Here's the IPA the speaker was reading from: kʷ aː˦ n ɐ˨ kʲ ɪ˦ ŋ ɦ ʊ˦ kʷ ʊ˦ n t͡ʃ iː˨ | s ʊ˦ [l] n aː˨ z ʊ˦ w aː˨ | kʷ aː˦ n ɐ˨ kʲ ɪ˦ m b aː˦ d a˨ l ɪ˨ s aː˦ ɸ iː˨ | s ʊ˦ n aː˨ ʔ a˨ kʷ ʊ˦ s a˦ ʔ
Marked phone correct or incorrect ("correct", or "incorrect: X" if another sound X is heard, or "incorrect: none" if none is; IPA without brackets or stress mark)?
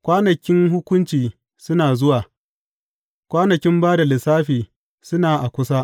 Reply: incorrect: none